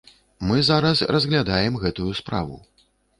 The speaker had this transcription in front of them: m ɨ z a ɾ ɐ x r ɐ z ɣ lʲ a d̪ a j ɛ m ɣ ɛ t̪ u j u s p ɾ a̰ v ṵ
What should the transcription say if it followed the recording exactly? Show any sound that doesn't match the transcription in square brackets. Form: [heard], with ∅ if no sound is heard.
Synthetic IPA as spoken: m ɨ z a ɾ ɐ [s] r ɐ z ɣ lʲ a d̪ a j ɛ m ɣ ɛ t̪ u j u s p ɾ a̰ v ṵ